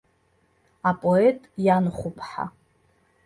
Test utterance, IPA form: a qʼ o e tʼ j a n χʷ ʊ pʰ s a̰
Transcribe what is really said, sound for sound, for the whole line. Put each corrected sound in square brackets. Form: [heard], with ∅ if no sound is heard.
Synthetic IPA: a [pʼ] o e tʼ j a n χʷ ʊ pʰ [ħ] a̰